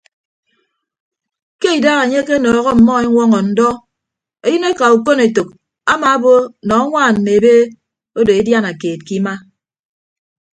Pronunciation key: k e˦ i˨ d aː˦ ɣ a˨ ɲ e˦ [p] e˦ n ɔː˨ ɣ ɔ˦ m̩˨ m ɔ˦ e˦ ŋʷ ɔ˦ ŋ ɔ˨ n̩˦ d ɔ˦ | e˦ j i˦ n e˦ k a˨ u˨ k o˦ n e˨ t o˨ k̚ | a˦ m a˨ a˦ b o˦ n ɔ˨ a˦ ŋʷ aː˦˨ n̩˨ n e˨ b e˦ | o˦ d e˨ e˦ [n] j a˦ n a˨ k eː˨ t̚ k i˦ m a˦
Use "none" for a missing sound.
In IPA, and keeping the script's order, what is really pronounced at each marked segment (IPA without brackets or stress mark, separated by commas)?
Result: k, d